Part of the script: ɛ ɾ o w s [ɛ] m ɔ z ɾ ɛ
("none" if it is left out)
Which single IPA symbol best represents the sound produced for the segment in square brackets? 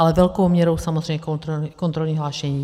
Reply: a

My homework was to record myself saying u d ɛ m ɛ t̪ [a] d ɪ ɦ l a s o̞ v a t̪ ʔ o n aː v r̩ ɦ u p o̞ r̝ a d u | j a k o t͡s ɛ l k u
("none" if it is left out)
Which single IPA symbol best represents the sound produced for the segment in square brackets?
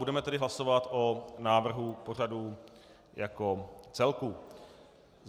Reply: ɛ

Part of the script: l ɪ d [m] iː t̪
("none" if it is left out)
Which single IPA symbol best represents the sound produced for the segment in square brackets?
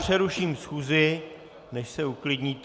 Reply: ɲ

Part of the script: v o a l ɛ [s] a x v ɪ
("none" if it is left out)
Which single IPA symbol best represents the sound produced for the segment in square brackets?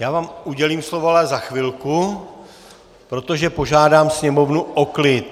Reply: z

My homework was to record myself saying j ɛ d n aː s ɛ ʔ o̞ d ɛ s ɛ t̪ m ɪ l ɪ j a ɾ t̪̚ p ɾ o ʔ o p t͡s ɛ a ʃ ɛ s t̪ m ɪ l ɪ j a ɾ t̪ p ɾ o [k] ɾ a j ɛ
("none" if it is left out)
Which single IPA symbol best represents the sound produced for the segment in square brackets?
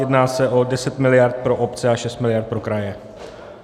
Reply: k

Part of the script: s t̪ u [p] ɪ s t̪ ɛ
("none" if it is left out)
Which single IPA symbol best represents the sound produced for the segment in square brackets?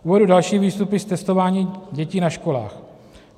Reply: p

